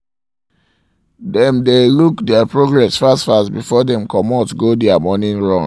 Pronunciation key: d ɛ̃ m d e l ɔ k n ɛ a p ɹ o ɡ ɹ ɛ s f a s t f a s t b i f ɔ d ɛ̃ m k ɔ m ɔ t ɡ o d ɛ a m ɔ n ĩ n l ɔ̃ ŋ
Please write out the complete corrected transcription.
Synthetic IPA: d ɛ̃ m d e l u k d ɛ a p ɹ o ɡ ɹ ɛ s f a s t f a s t b i f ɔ d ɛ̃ m k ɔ m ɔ t ɡ o d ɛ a m ɔ n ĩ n ɹ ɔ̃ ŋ